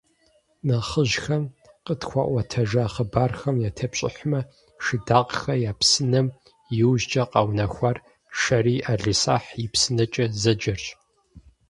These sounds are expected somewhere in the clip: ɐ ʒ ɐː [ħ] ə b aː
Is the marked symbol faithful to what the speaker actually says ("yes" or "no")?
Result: no